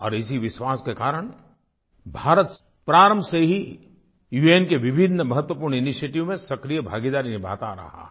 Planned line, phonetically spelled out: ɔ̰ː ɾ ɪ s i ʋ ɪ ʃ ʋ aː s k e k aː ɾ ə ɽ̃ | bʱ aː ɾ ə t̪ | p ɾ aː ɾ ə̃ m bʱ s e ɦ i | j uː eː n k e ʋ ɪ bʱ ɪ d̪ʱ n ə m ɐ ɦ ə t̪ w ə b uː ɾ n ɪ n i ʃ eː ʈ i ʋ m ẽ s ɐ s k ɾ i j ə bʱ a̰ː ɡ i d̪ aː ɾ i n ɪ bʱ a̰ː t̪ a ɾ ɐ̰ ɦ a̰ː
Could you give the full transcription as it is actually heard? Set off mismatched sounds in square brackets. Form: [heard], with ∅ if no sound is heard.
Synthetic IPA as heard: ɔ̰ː ɾ ɪ s i ʋ ɪ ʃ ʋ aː s k e k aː ɾ ə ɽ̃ | bʱ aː ɾ ə t̪ | p ɾ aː ɾ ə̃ m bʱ s e ɦ i | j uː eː n k e ʋ ɪ bʱ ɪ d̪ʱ n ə m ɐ ɦ ə t̪ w ə [p] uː ɾ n ɪ n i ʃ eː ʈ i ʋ m ẽ s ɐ [∅] k ɾ i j ə bʱ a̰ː ɡ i d̪ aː ɾ i n ɪ bʱ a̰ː t̪ a ɾ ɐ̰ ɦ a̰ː

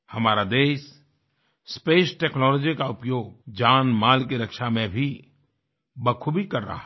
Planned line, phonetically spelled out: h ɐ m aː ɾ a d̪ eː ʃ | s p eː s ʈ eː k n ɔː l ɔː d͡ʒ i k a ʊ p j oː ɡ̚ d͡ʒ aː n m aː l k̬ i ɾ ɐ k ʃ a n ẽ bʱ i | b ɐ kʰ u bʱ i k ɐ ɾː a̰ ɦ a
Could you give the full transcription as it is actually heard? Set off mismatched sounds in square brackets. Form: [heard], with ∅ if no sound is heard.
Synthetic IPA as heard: h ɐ m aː ɾ a d̪ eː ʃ | s p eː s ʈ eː k n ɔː l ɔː d͡ʒ i k a ʊ p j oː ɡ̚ d͡ʒ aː n m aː l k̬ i ɾ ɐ k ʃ a [m] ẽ bʱ i | b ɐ kʰ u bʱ i k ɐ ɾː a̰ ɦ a

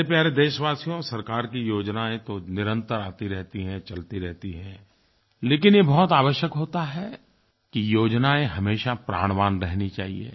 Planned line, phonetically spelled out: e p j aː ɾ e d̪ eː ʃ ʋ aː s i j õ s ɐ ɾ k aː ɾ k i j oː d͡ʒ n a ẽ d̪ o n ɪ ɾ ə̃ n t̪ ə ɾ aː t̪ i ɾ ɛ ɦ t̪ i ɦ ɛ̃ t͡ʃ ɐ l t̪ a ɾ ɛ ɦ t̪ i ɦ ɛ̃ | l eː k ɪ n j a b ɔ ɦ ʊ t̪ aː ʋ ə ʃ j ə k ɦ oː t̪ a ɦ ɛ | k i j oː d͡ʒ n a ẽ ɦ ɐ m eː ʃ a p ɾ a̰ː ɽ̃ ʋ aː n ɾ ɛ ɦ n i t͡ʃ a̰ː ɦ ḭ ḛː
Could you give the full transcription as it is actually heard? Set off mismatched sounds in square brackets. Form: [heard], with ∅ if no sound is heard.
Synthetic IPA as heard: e p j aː ɾ e d̪ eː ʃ ʋ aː s i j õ s ɐ ɾ k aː ɾ k i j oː d͡ʒ n a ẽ [t̪] o n ɪ ɾ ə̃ n t̪ ə ɾ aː t̪ i ɾ ɛ ɦ t̪ i ɦ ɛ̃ t͡ʃ ɐ l t̪ [i] ɾ ɛ ɦ t̪ i ɦ ɛ̃ | l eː k ɪ n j [e] b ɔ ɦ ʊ t̪ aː ʋ ə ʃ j ə k ɦ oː t̪ a ɦ ɛ | k i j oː d͡ʒ n a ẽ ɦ ɐ m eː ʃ a p ɾ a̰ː ɽ̃ ʋ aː n ɾ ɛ ɦ n i t͡ʃ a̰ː ɦ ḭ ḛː

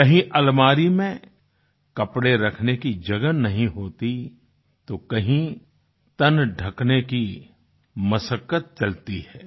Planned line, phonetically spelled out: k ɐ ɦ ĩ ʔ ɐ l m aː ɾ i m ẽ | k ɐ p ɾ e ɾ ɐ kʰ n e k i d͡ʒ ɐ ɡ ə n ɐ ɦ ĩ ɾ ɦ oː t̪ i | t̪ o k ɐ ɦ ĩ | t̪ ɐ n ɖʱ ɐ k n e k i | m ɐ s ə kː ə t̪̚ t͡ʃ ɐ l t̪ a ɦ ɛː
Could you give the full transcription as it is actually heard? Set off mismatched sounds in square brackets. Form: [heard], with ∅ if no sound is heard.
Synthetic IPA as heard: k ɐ ɦ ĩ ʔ ɐ l m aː ɾ i m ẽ | k ɐ p [ɽ] e ɾ ɐ kʰ n e k i d͡ʒ ɐ ɡ ə n ɐ ɦ ĩ [∅] ɦ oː t̪ i | t̪ o k ɐ ɦ ĩ | t̪ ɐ n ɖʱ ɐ k n e k i | m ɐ s ə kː ə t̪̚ t͡ʃ ɐ l t̪ [i] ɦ ɛː

